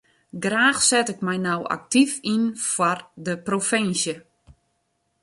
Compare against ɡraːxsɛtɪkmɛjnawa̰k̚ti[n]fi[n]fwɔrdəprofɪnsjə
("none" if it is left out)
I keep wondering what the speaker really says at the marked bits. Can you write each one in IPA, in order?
none, n

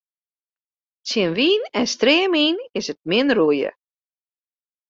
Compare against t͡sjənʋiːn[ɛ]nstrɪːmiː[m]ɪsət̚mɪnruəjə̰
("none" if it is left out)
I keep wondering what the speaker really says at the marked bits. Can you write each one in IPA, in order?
ɛ, n

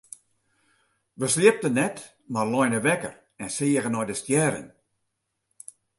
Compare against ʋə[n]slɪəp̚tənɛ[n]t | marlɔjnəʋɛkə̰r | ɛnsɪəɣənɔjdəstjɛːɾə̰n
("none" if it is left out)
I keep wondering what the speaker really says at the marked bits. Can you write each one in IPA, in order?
none, none

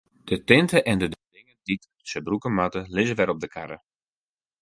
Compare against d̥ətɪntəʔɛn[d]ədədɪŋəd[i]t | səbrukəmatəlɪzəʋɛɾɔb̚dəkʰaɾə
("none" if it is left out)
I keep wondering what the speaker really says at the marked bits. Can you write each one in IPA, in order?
d, i

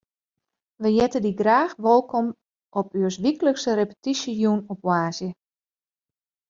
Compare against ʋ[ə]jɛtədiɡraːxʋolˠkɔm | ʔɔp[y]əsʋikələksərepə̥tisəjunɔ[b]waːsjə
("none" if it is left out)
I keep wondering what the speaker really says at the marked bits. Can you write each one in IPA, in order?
ə, y, p

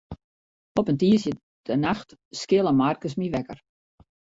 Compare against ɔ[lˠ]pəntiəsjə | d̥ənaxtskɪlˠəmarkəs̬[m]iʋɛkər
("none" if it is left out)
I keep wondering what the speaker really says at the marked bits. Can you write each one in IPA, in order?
none, m

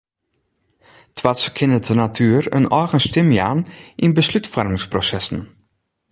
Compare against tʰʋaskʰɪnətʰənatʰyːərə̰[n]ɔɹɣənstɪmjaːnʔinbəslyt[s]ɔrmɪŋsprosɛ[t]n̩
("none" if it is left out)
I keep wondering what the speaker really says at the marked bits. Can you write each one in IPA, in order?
n, f, s

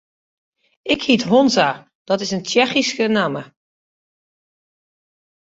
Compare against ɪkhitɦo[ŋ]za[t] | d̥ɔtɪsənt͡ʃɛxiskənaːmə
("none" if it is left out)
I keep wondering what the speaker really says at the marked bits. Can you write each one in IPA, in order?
n, none

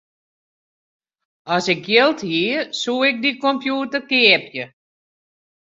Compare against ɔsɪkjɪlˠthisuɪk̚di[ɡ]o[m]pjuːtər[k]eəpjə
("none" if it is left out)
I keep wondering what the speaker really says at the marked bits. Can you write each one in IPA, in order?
k, m, k

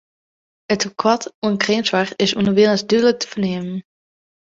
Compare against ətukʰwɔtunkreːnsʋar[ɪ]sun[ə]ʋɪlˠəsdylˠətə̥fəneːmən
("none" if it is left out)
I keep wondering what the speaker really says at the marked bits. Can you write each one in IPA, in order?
ɪ, ə

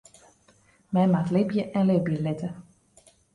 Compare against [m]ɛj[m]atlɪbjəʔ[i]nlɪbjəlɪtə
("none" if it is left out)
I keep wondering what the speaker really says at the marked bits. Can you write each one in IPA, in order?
m, m, ɛ

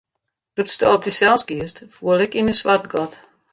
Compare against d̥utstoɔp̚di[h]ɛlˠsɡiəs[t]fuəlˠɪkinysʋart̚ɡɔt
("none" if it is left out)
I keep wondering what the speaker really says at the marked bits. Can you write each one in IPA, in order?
s, t

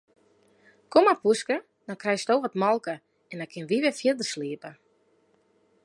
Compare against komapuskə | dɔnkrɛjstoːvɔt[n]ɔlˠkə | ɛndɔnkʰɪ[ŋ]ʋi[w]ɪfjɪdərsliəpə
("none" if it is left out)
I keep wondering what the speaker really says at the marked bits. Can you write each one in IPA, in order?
m, n, ʋ

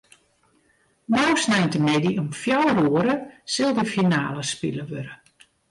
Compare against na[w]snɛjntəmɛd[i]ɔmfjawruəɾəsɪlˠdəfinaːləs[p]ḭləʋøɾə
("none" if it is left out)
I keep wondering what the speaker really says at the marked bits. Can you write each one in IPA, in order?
w, i, p

